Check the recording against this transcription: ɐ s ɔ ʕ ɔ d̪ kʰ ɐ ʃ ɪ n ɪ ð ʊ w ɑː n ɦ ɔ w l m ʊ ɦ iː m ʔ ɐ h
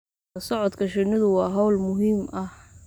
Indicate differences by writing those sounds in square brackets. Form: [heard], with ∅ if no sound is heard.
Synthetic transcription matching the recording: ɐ s ɔ ʕ ɔ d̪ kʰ ɐ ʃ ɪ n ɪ ð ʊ w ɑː [∅] ɦ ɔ w l m ʊ ɦ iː m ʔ ɐ h